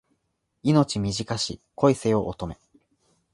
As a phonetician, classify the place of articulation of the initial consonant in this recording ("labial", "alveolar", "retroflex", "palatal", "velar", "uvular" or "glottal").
alveolar